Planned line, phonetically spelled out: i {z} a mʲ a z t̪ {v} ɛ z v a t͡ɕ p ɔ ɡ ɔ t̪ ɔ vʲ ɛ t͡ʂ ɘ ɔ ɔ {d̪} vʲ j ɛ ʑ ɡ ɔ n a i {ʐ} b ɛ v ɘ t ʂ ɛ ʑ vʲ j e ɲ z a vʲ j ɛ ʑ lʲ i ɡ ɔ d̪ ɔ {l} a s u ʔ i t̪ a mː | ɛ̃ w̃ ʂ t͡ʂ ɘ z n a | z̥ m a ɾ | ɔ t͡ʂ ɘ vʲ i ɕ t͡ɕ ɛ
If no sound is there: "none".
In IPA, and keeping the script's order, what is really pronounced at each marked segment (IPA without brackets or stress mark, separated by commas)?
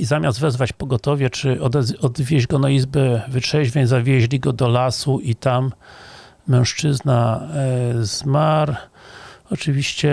z, v, d̪, z, l